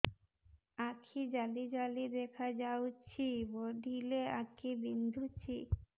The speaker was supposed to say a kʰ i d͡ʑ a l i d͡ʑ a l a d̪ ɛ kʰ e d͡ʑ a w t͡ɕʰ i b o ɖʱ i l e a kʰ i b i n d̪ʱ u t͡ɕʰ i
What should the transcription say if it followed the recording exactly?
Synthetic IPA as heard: a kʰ i d͡ʑ a l i d͡ʑ a l i d̪ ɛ kʰ a d͡ʑ a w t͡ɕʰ i b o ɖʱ i l e a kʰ i b i n d̪ʱ u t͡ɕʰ i

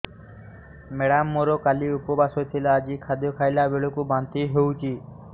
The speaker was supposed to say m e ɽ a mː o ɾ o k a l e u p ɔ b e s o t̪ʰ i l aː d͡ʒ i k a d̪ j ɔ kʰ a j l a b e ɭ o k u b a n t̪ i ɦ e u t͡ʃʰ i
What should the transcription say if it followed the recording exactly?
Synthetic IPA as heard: m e ɽ a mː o ɾ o k a l i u p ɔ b a s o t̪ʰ i l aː d͡ʒ i kʰ a d̪ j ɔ kʰ a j l a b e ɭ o k u b a n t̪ i ɦ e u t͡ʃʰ i

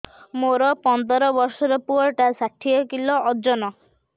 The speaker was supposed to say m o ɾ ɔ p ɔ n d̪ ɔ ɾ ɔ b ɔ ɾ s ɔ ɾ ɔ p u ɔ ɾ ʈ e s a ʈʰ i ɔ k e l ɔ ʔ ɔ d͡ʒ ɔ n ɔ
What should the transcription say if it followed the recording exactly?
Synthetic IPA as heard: m o ɾ ɔ p ɔ n d̪ ɔ ɾ ɔ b ɔ ɾ s ɔ ɾ ɔ p u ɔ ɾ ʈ a s a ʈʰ i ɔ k i l ɔ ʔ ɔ d͡ʒ ɔ n ɔ

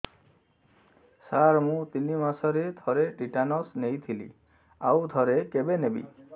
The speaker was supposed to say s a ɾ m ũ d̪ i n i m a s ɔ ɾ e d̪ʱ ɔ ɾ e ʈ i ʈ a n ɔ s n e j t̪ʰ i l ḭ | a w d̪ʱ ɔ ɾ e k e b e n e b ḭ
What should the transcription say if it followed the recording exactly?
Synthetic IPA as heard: s a ɾ m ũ t̪ i n i m a s ɔ ɾ e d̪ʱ ɔ ɾ e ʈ i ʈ a n ɔ s n e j t̪ʰ i l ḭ | a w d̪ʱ ɔ ɾ e k e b e n e b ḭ

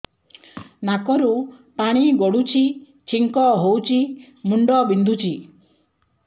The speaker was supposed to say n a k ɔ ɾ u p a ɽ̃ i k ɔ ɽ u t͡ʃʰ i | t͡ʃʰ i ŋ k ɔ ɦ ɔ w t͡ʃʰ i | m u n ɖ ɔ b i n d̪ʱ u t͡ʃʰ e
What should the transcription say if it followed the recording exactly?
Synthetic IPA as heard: n a k ɔ ɾ u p a ɽ̃ i ɡ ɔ ɽ u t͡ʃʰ i | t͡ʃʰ i ŋ k ɔ ɦ o w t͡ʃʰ i | m u ɳ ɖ ɔ b i n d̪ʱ u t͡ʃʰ i

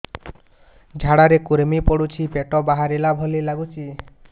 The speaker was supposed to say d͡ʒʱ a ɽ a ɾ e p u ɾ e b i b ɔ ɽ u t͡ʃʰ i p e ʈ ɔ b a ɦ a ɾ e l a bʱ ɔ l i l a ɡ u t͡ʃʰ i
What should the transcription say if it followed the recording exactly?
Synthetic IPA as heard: d͡ʒʱ a ɽ a ɾ e k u ɾ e m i p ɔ ɽ u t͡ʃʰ i p e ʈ ɔ b a ɦ a ɾ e l a bʱ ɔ l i l a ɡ u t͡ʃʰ i

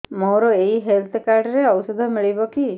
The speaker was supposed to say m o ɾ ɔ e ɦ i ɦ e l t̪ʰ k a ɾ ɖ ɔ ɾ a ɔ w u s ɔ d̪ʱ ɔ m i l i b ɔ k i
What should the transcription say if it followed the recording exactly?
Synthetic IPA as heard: m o ɾ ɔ e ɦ i ɦ e l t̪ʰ k a ɾ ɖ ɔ ɾ e ɔ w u s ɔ d̪ʱ ɔ m i ɭ i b ɔ k i

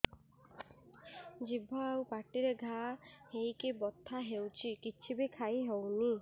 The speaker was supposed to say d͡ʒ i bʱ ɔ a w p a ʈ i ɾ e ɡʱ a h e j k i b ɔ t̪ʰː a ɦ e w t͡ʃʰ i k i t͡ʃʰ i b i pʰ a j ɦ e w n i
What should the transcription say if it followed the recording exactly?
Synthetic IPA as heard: d͡ʒ i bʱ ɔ a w p a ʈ i ɾ e ɡʱ a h e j k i b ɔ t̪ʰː a ɦ e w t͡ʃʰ i k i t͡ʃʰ i b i kʰ a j ɦ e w n i

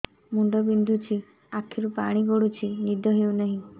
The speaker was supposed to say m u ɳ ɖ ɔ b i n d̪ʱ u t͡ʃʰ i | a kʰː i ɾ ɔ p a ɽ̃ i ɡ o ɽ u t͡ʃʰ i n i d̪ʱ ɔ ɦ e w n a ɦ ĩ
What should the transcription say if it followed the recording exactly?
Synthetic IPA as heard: m u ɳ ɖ ɔ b i n d̪ʱ u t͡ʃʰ i | a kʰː i ɾ u p a ɽ̃ i ɡ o ɽ u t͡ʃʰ i n i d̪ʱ ɔ ɦ e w n a ɦ ĩ

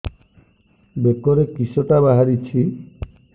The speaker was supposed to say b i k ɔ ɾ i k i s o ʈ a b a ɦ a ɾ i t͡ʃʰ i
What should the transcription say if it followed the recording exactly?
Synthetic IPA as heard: b e k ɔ ɾ e k i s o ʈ a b a ɦ a ɾ i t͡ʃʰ i

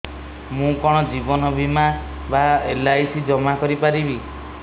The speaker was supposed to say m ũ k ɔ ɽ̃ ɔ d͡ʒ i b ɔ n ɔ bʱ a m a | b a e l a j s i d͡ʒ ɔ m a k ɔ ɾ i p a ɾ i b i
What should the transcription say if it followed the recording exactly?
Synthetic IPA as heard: m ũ k ɔ ɽ̃ ɔ d͡ʒ i b ɔ n ɔ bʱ i m a | b a e l a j s i d͡ʒ ɔ m a k ɔ ɾ i p a ɾ i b i

